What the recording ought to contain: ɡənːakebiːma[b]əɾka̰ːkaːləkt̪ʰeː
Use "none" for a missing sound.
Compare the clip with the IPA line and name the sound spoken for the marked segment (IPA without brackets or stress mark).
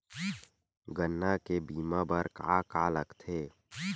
b